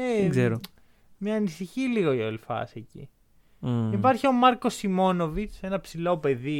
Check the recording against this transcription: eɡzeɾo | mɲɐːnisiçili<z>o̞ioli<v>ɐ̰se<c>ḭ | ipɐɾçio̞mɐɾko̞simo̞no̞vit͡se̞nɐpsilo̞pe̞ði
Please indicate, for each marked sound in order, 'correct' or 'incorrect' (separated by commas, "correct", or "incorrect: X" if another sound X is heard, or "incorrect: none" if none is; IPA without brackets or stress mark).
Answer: incorrect: ɣ, incorrect: f, correct